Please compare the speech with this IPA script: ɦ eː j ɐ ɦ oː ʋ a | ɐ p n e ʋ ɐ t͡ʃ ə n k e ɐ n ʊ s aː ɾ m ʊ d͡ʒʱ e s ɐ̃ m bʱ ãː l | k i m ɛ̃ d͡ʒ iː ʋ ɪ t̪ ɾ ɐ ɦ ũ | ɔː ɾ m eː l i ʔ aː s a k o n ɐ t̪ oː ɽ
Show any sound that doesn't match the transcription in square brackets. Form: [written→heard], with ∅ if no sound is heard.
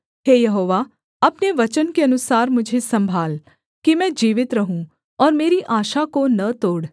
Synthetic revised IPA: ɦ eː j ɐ ɦ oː ʋ a | ɐ p n e ʋ ɐ t͡ʃ ə n k e ɐ n ʊ s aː ɾ m ʊ d͡ʒʱ e s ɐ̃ m bʱ [ãː→aː] l | k i m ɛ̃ d͡ʒ iː ʋ ɪ t̪ ɾ ɐ ɦ ũ | ɔː ɾ m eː [l→ɾ] i ʔ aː [s→ʃ] a k o n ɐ t̪ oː ɽ

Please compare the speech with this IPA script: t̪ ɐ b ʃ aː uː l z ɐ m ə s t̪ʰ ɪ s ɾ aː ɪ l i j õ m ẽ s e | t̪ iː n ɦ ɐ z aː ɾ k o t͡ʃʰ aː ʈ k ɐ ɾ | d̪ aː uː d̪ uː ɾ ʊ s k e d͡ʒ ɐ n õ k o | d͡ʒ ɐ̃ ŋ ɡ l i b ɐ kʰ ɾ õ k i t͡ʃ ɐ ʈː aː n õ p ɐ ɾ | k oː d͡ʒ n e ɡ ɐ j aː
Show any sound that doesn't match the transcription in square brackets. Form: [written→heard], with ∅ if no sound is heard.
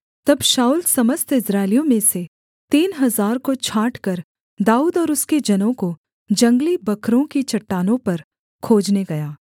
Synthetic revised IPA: t̪ ɐ b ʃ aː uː l [z→s] ɐ m ə s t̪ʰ ɪ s ɾ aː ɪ l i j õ m ẽ s e | t̪ iː n ɦ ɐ z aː ɾ k o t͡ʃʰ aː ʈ k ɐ ɾ | d̪ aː uː d̪ [uː→ɔː] ɾ ʊ s k e d͡ʒ ɐ n õ k o | d͡ʒ ɐ̃ ŋ ɡ l i b ɐ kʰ ɾ õ k i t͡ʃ ɐ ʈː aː n õ p ɐ ɾ | [k→kʰ] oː d͡ʒ n e ɡ ɐ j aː

